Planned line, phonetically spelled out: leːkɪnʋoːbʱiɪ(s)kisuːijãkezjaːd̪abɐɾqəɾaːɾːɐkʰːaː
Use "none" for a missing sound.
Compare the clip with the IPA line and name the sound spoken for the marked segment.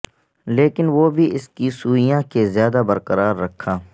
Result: s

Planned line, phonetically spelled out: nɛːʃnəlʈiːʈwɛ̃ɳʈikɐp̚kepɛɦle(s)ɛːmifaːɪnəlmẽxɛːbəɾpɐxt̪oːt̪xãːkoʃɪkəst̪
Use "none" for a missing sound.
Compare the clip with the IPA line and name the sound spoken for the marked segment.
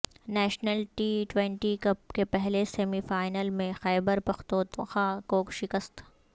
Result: s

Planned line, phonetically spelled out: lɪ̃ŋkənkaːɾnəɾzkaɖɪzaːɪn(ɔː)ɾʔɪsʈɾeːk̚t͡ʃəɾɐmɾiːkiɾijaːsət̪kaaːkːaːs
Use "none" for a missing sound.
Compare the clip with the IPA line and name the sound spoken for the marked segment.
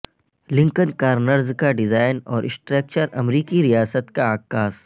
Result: ɔː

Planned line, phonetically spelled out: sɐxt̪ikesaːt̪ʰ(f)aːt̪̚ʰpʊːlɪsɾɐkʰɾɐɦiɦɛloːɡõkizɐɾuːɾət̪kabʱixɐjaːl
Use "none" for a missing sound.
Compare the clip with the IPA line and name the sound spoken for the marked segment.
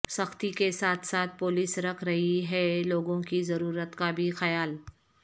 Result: s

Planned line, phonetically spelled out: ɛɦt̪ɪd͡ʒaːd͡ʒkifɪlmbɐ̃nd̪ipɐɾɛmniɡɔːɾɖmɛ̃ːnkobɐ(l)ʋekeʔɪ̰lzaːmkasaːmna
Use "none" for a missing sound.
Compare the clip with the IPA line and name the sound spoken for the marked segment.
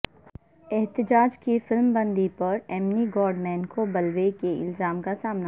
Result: l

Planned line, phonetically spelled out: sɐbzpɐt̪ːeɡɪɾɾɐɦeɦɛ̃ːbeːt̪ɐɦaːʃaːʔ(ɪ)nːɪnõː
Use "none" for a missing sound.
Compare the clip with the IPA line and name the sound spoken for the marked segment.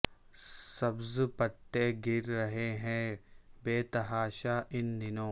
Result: ɪ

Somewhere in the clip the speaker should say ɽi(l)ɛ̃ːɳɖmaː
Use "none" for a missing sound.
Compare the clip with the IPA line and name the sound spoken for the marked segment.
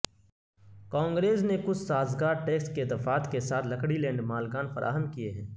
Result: l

